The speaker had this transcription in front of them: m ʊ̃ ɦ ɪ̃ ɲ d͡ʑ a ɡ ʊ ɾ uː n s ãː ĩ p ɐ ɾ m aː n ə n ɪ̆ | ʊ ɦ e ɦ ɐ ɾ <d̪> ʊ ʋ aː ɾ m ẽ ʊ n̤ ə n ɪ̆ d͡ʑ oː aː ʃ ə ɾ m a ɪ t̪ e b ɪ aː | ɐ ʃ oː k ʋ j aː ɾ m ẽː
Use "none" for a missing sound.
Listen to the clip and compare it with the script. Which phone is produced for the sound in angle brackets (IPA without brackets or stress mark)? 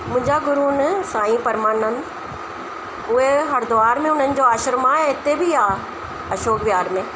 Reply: d̪